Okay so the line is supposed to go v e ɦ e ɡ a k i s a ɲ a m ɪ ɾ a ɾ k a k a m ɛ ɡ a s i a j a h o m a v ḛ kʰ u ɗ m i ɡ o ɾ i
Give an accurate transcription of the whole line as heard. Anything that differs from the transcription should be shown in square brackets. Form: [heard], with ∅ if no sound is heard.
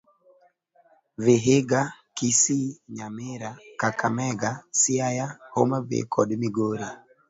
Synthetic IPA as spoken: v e ɦ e ɡ a k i s [i] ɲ a m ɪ ɾ a [∅] k a k a m ɛ ɡ a s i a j a h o m a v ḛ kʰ [ɔ] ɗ m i ɡ o ɾ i